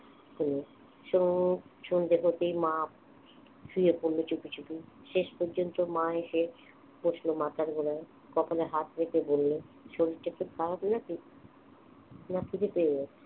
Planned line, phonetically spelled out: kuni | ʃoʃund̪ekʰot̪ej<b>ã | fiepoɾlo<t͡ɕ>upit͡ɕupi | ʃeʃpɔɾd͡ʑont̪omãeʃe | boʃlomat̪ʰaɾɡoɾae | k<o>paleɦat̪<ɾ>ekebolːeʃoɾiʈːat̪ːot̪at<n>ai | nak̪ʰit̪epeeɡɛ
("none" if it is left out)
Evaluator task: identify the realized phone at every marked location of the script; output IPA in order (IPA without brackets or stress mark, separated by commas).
m, t͡ɕ, ɔ, ɾ, n